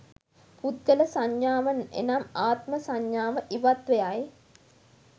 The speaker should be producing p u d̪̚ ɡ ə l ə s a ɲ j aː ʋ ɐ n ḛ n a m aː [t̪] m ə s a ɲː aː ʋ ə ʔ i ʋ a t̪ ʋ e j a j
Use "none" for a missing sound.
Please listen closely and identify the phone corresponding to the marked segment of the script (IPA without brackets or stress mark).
t̪